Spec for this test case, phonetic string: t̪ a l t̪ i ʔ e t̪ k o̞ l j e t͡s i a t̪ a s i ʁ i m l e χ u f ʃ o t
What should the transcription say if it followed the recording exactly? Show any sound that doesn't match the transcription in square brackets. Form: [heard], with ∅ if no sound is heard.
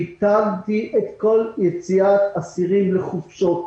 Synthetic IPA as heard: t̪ a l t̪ i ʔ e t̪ k o̞ l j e t͡s i a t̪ a s i ʁ i m l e χ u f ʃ o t